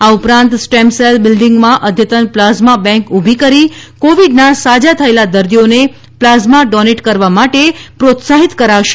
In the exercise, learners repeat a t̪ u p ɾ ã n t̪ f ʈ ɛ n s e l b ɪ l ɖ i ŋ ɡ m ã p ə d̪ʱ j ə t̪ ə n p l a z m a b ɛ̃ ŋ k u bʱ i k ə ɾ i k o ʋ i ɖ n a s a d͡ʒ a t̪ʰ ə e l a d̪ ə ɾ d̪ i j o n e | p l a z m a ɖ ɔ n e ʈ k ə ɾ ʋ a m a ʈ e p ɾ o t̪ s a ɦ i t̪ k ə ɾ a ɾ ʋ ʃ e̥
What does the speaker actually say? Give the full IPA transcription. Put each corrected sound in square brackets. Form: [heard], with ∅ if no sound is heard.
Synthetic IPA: a [∅] u p ɾ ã n t̪ [s] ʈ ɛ [m] s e l b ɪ l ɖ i ŋ ɡ m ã [ʔ] ə d̪ʱ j ə t̪ ə n p l a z m a b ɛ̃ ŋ k u bʱ i k ə ɾ i k o ʋ i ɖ n a s a d͡ʒ a t̪ʰ ə e l a d̪ ə ɾ d̪ i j o n e | p l a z m a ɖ ɔ n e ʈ k ə ɾ ʋ a m a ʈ e p ɾ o t̪ s a ɦ i t̪ k ə ɾ a [∅] ʋ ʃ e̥

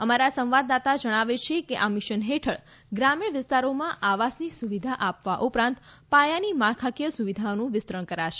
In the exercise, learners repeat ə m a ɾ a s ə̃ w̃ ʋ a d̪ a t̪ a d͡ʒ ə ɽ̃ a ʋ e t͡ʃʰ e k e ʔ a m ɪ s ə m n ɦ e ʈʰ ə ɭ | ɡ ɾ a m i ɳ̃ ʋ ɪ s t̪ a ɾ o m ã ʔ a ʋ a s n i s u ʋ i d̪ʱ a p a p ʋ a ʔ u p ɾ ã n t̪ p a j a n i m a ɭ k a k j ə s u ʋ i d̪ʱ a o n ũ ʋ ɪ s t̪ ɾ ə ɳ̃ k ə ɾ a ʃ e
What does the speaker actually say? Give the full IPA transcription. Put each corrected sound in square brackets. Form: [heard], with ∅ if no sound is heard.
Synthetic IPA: ə m a ɾ a s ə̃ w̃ ʋ a d̪ a t̪ a d͡ʒ ə ɽ̃ a ʋ e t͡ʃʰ e k e ʔ a m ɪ [ʃ] ə [∅] n ɦ e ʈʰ ə ɭ | ɡ ɾ a m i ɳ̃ ʋ ɪ s t̪ a ɾ o m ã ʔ a ʋ a s n i s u ʋ i d̪ʱ a [ʔ] a p ʋ a ʔ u p ɾ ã n t̪ p a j a n i m a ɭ [kʰ] a k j ə s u ʋ i d̪ʱ a o n ũ ʋ ɪ s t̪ ɾ ə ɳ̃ k ə ɾ a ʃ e

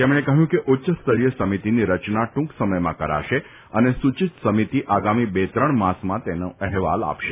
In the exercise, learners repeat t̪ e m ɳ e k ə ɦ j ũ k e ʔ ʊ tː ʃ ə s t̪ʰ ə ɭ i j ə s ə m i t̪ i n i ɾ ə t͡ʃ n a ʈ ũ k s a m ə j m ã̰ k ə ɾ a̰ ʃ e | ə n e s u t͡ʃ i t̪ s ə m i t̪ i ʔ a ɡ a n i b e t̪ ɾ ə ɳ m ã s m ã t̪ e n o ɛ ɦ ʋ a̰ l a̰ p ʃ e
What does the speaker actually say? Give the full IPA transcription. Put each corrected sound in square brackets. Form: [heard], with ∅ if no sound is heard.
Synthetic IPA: t̪ e m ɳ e k ə ɦ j ũ k e ʔ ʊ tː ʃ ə s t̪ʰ ə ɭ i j ə s ə m i t̪ i n i ɾ ə t͡ʃ n a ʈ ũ k s [ə] m ə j m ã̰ k ə ɾ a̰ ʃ e | ə n e s u t͡ʃ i t̪ s ə m i t̪ i ʔ a ɡ a [m] i b e t̪ ɾ ə ɳ m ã s m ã t̪ e n o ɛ ɦ ʋ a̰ l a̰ p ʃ e

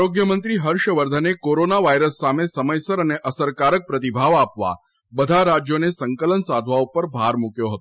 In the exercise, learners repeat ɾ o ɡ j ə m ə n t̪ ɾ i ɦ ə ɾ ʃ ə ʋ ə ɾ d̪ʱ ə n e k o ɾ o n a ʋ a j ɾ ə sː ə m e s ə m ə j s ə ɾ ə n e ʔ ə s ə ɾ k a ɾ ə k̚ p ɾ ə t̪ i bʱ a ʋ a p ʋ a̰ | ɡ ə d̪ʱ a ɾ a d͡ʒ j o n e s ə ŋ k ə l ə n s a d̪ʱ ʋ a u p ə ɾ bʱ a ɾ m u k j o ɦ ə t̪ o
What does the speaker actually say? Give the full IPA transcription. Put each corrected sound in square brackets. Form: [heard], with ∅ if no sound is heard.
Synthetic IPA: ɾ o ɡ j ə m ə n t̪ ɾ i ɦ ə ɾ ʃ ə ʋ ə ɾ d̪ʱ ə n e k o ɾ o n a ʋ a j ɾ ə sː [a] m e s ə m ə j s ə ɾ ə n e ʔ ə s ə ɾ k a ɾ ə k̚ p ɾ ə t̪ i bʱ a ʋ a p ʋ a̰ | [b] ə d̪ʱ a ɾ a d͡ʒ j o n e s ə ŋ k ə l ə n s a d̪ʱ ʋ a u p ə ɾ bʱ a ɾ m u k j o ɦ ə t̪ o

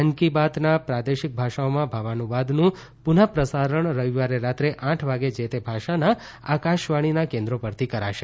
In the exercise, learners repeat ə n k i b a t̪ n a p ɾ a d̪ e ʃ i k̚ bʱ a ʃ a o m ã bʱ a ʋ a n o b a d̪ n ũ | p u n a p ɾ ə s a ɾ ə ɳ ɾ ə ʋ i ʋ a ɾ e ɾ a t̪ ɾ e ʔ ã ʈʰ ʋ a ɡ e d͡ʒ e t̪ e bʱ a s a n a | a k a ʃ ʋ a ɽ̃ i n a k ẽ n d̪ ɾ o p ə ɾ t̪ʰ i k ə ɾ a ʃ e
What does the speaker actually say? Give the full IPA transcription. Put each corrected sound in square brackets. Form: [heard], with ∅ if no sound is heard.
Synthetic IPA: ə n k i b a t̪ n a p ɾ a d̪ e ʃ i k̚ bʱ a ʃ a o m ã bʱ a ʋ a n [u] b a d̪ n ũ | p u n a p ɾ ə s a ɾ ə ɳ ɾ ə ʋ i ʋ a ɾ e ɾ a t̪ ɾ e ʔ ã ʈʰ ʋ a ɡ e d͡ʒ e t̪ e bʱ a [ʃ] a n a | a k a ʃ ʋ a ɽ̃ i n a k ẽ n d̪ ɾ o p ə ɾ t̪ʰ i k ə ɾ a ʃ e

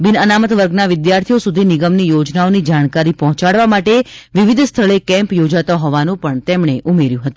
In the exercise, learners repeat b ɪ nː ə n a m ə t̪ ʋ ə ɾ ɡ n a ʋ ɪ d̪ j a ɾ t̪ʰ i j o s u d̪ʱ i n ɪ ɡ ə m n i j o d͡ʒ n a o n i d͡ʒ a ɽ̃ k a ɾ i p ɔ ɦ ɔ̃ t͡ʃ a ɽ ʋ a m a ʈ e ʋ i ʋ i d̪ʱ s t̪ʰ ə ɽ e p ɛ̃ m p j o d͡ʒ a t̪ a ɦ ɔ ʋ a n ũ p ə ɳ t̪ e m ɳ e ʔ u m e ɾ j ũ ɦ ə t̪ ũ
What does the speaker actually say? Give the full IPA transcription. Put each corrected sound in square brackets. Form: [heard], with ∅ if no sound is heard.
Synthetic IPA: b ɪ [n] ə n a m ə t̪ ʋ ə ɾ ɡ n a ʋ ɪ d̪ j a ɾ t̪ʰ i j o s u d̪ʱ i n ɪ ɡ ə m n i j o d͡ʒ n a o n i d͡ʒ a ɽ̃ k a ɾ i p ɔ ɦ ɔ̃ t͡ʃ a ɽ ʋ a m a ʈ e ʋ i ʋ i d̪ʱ s t̪ʰ ə [ɭ] e [k] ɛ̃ m p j o d͡ʒ a t̪ a ɦ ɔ ʋ a n ũ p ə ɳ t̪ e m ɳ e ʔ u m e ɾ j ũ ɦ ə t̪ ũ

